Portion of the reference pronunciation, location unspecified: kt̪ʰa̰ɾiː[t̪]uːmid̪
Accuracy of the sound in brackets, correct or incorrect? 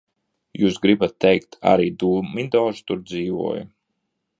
incorrect